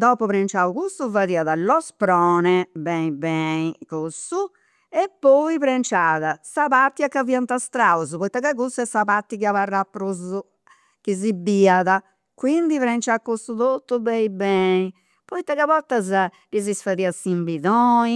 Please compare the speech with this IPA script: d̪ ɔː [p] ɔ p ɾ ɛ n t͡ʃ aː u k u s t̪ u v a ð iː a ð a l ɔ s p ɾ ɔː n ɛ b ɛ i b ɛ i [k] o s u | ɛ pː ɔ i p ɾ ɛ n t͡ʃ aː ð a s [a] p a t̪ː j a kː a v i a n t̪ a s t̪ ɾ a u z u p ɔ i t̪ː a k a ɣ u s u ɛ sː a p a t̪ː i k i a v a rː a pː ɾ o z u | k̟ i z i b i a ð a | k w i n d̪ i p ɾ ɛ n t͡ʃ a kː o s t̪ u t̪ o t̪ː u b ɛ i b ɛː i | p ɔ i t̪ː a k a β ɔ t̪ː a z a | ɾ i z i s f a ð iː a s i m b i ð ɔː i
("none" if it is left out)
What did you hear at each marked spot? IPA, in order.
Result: p, k, a

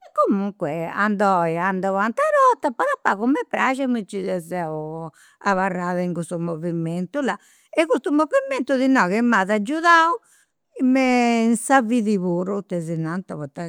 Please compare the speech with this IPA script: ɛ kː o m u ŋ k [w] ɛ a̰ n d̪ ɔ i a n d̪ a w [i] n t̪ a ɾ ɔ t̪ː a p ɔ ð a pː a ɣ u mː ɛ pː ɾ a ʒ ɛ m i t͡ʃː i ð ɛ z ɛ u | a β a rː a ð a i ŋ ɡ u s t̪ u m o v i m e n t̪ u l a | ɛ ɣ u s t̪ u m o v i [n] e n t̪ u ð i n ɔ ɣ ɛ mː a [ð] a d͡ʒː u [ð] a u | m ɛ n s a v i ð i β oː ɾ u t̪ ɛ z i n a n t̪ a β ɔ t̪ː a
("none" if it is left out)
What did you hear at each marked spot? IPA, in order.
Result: w, a, m, ð, ð

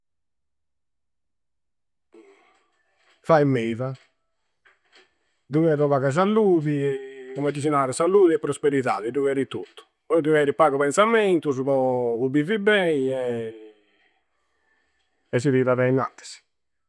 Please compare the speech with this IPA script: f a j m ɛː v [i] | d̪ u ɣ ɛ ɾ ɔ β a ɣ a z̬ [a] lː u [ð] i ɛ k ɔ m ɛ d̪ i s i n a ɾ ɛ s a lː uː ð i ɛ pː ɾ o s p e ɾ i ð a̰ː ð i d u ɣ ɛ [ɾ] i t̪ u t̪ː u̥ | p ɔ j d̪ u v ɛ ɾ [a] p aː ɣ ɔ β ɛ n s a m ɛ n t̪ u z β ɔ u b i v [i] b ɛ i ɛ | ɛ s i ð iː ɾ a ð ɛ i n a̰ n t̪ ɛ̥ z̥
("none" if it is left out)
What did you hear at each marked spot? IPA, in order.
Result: a, a, ð, ɾ, i, i

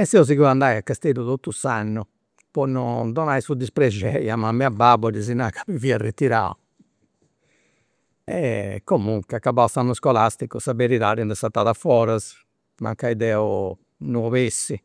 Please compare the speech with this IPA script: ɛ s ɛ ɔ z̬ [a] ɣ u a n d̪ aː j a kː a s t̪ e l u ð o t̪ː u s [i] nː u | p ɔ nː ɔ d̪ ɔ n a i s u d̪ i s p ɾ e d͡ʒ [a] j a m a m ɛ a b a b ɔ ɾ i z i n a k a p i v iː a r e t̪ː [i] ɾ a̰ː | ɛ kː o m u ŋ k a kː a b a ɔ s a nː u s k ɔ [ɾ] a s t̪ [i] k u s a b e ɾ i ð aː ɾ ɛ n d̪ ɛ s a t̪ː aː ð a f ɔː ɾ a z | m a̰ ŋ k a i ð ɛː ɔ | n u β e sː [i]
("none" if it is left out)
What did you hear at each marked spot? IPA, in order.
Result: i, a, ɛ, i, l, i, i

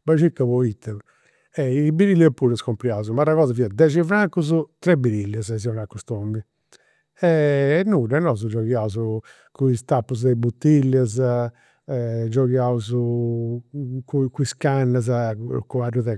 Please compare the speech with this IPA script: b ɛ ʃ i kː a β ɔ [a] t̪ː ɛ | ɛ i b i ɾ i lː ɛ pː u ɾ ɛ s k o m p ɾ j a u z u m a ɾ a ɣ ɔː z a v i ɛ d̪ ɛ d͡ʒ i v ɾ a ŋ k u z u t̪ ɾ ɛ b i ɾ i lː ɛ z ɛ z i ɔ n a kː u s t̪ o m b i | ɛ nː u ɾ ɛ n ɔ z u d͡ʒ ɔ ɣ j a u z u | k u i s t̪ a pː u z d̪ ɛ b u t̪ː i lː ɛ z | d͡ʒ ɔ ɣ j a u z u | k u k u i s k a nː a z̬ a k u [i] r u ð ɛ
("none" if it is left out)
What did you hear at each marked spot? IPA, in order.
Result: i, a

